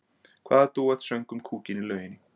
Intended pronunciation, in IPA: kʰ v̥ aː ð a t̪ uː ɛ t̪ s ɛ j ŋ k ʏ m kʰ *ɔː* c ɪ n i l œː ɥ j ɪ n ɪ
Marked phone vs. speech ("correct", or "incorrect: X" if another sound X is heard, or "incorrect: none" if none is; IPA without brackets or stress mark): incorrect: uː